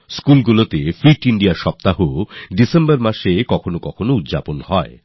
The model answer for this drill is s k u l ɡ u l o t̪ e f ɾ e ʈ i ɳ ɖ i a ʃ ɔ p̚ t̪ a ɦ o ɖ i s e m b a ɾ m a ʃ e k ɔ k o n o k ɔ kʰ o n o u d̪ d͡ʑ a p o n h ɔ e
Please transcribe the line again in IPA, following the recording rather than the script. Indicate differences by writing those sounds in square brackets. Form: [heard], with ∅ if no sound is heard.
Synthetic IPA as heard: s k u l ɡ u l o t̪ e f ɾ [i] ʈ i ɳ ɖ i a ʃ ɔ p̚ t̪ a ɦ o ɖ i s e m b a ɾ m a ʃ e k ɔ [kʰ] o n o k ɔ kʰ o n o u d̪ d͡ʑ a p o n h ɔ e